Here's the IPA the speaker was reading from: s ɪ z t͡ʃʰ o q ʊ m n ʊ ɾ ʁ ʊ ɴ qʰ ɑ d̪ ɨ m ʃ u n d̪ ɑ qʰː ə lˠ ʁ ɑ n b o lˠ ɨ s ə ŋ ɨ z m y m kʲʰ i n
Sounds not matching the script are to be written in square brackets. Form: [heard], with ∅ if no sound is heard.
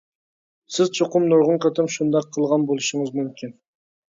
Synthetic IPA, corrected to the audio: s ɪ z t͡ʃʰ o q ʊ m n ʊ ɾ ʁ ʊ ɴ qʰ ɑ [t̪] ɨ m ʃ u n d̪ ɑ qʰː ə lˠ ʁ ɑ n b o lˠ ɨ [ʃ] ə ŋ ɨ z m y m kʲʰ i n

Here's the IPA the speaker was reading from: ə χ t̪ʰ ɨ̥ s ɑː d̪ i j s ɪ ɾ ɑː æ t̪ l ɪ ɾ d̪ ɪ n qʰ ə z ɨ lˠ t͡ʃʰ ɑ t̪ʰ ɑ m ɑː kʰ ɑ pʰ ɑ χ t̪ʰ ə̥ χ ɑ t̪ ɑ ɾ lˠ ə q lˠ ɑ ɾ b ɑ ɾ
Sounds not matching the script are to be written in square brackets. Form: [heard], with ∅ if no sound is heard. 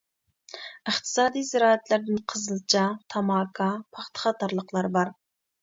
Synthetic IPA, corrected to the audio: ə χ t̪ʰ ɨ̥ s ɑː d̪ i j [z] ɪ ɾ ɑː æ t̪ l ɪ ɾ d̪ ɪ n qʰ ə z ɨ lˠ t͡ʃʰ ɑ t̪ʰ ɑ m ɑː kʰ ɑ pʰ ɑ χ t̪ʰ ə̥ χ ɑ t̪ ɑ ɾ lˠ ə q lˠ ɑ ɾ b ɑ ɾ

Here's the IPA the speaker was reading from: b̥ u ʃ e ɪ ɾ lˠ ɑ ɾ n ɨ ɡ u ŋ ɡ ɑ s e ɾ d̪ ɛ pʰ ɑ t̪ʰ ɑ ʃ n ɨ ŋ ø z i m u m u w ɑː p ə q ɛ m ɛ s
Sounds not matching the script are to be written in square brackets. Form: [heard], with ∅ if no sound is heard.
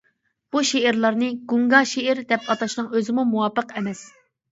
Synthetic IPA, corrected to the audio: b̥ u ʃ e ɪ ɾ lˠ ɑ ɾ n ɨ ɡ u ŋ ɡ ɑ [ʃ] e ɾ d̪ ɛ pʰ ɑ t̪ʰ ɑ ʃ n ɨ ŋ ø z [ɪ] m u m u w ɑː p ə q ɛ m ɛ s

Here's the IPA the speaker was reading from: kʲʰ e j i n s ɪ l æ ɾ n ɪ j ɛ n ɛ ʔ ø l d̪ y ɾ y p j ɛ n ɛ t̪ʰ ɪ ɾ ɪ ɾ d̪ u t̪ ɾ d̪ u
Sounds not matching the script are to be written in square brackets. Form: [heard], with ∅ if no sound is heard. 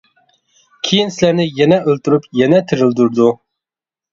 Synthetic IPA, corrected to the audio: kʲʰ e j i n s ɪ l æ ɾ n ɪ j ɛ n ɛ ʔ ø l [t̪] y ɾ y p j ɛ n ɛ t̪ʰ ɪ ɾ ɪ [l] d̪ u [∅] ɾ d̪ u

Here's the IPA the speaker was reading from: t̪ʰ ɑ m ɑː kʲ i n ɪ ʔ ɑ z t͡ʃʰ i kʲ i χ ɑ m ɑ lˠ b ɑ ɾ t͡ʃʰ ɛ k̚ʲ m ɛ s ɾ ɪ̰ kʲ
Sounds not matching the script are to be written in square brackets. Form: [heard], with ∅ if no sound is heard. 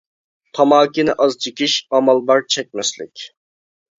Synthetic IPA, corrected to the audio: t̪ʰ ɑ m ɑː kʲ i n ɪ ʔ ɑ z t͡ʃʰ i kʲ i [ʃ] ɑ m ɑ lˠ b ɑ ɾ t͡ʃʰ ɛ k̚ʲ m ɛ s [l] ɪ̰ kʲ

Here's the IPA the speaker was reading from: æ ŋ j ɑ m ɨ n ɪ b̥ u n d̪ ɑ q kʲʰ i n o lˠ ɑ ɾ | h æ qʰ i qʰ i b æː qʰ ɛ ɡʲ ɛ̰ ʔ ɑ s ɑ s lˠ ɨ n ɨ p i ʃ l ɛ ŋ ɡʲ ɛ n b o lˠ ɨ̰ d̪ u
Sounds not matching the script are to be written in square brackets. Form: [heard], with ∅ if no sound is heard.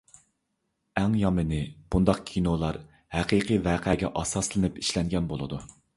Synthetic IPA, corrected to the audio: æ ŋ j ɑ m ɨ n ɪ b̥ u n d̪ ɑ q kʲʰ i n o lˠ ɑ ɾ | h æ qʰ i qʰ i [v] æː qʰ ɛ ɡʲ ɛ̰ ʔ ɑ s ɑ s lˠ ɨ n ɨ p i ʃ l ɛ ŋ ɡʲ ɛ n b o lˠ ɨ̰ d̪ u

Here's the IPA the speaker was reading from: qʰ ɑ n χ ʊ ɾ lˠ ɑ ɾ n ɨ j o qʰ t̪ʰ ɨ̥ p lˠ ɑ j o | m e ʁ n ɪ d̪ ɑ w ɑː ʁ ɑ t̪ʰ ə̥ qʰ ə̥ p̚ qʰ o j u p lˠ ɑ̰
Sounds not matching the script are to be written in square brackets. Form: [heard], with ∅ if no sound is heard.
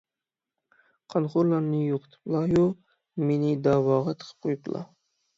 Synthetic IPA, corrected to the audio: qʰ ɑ n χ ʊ ɾ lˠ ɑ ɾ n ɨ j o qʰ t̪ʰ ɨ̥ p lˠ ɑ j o | m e [∅] n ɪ d̪ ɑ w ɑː ʁ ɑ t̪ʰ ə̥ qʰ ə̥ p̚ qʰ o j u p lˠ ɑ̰

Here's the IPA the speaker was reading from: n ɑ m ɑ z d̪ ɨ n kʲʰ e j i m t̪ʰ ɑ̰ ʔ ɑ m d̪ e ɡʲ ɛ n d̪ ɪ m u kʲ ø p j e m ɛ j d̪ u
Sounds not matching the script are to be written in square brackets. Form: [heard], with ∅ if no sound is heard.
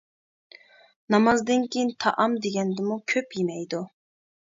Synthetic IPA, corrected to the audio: n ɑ m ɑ z d̪ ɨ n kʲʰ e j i [n] t̪ʰ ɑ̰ ʔ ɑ m d̪ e ɡʲ ɛ n d̪ ɪ m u [kʲʰ] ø p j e m ɛ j d̪ u

